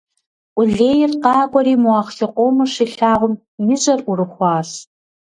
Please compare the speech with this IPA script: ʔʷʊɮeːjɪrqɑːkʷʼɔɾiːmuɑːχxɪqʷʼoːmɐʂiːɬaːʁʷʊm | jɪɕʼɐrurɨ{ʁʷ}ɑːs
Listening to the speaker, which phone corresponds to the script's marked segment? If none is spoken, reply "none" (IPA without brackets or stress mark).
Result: χʷ